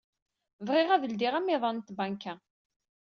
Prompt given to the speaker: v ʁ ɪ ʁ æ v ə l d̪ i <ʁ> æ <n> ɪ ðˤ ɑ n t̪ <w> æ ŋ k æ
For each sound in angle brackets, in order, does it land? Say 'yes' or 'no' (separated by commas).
yes, no, no